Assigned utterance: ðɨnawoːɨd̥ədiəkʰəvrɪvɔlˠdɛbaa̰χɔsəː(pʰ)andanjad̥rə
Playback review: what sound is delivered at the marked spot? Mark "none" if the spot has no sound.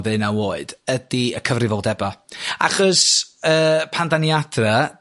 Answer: pʰ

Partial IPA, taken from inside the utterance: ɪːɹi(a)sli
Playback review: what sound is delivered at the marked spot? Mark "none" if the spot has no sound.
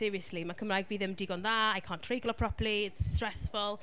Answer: ə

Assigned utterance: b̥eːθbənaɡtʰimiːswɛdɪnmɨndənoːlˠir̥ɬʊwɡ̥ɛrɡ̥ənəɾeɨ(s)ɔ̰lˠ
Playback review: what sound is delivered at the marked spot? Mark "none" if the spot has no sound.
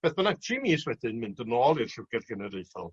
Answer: θ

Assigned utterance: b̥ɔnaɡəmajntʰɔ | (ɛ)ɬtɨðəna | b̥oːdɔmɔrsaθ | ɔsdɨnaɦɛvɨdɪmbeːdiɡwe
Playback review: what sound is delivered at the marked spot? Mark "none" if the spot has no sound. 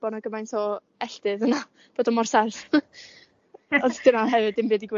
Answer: ɛ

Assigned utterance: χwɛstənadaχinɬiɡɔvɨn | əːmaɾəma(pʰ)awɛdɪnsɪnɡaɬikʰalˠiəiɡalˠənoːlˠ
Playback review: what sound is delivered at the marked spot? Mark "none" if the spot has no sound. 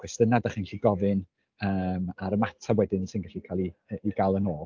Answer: tʰ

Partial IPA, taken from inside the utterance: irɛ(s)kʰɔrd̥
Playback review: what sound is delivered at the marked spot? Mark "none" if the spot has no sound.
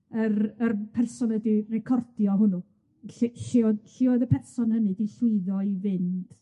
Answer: none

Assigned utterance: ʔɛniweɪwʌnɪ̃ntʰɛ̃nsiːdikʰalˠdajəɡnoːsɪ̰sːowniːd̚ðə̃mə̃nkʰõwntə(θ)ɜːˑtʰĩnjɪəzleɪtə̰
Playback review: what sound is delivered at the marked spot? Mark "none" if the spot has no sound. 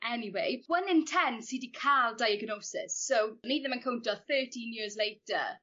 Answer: θ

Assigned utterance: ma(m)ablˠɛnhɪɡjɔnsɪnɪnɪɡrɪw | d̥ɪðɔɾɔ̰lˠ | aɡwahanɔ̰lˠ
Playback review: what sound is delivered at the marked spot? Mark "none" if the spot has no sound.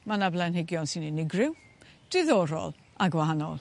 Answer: n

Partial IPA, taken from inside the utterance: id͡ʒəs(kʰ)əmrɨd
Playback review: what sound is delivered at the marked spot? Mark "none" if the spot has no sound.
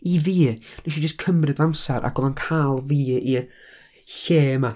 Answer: kʰ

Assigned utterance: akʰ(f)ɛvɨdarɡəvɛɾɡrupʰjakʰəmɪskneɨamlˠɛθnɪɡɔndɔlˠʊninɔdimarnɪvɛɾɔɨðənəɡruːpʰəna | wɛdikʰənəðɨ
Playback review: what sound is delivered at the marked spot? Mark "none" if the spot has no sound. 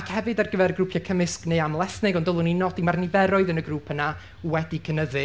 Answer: h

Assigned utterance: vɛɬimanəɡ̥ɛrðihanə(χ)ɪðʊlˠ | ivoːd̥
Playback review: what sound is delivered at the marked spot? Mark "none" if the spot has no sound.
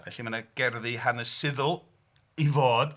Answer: s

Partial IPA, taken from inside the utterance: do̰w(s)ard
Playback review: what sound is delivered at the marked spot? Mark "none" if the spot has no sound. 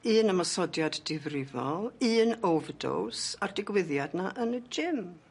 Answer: s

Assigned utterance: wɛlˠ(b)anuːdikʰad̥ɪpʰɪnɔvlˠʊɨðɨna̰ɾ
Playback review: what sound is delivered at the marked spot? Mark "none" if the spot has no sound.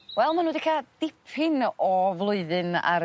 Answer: m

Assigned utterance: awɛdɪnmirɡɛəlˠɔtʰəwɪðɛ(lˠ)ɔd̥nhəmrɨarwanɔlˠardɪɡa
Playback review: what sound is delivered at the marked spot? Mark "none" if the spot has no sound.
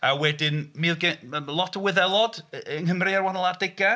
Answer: lˠ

